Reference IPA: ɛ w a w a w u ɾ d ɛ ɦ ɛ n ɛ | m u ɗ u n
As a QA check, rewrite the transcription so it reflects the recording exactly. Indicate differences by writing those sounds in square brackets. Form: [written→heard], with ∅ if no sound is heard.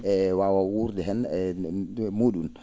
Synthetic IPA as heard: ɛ w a w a w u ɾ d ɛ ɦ ɛ n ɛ | m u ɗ u n